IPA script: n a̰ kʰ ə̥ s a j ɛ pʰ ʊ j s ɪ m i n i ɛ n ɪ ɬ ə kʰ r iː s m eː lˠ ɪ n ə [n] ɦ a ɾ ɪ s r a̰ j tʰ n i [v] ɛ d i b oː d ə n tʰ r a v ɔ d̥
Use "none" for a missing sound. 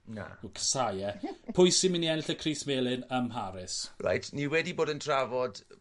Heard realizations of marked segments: m, w

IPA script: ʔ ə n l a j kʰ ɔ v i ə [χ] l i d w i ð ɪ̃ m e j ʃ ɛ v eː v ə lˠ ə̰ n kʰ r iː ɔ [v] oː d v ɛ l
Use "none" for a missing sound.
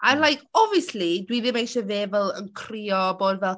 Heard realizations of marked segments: s, b

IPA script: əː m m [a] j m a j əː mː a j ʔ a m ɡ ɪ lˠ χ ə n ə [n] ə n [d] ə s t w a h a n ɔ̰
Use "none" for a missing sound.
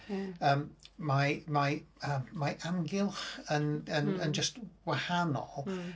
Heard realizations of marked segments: a, n, d͡ʒ

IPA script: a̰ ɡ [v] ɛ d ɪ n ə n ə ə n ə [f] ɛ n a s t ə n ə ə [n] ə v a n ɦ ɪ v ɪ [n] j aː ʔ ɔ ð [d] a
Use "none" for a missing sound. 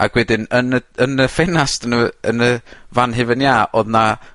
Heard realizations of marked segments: w, f, n, n, n

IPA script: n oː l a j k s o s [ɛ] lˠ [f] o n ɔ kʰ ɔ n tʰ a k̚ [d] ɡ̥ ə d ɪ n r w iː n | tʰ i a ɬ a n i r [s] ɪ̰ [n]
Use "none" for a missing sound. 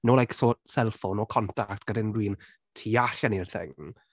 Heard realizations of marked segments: ɛ, f, t, θ, ŋ

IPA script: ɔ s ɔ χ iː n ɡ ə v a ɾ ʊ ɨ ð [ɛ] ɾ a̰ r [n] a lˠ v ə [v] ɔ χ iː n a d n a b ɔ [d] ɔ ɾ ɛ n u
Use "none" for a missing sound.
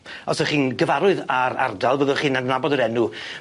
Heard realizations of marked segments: a, d, ð, d

